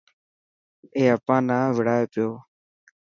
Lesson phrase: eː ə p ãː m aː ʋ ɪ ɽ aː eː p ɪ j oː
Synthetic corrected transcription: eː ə p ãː n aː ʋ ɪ ɽ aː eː p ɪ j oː

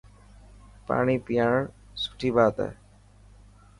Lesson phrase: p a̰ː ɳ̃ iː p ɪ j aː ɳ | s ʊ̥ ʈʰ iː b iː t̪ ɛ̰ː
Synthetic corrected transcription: p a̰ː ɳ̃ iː p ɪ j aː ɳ | s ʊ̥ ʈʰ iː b aː t̪ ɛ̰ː

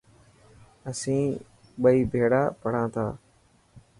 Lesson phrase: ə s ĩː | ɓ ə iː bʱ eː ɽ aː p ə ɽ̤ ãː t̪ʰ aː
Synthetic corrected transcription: ə s ĩː | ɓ ə iː bʱ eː ɽ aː p ə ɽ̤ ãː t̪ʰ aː

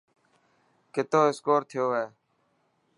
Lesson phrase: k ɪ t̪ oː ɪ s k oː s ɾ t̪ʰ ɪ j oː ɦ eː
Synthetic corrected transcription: k ɪ t̪ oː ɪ s k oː ɾ t̪ʰ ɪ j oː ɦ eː

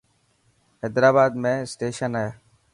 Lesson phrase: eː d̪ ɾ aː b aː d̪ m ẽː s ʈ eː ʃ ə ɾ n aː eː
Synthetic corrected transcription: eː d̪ ɾ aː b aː d̪ m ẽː s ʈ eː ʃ ə n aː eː

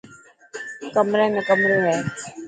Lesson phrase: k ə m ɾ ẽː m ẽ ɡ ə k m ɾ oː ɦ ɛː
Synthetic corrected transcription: k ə m ɾ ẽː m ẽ k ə m ɾ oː ɦ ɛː

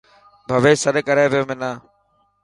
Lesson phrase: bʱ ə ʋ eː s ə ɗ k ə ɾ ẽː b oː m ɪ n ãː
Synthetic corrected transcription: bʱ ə ʋ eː s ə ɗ k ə ɾ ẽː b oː m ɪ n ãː

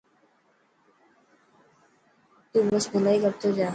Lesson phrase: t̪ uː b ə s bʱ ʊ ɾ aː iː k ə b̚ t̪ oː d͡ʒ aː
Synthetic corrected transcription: t̪ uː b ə s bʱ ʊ l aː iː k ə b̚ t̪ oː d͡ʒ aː

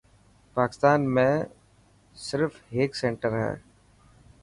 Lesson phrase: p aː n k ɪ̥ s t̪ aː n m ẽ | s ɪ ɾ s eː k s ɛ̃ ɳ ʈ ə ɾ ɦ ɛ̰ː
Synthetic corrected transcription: p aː k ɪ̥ s t̪ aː n m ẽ | s ɪ ɾ f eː k s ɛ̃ ɳ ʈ ə ɾ ɦ ɛ̰ː

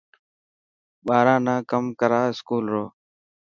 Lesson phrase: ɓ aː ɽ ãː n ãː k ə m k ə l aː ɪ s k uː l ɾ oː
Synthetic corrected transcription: ɓ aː ɾ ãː n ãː k ə m k ə ɾ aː ɪ s k uː l ɾ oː

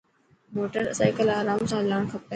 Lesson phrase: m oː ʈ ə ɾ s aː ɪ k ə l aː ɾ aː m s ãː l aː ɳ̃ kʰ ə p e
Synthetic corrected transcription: m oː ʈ ə ɾ s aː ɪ k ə l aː ɾ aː m s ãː l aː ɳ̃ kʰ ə p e

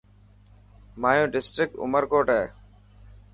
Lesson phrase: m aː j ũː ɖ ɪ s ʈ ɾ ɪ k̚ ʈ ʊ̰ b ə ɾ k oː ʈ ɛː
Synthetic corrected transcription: m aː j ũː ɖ ɪ s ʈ ɾ ɪ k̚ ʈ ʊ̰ m ə ɾ k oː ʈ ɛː

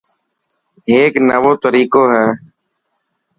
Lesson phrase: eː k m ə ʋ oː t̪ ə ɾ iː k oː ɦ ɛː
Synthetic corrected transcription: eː k n ə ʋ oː t̪ ə ɾ iː k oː ɦ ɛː

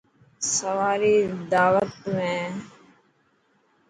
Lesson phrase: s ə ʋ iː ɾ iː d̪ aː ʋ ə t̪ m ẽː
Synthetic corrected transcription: s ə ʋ aː ɾ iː d̪ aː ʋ ə t̪ m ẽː

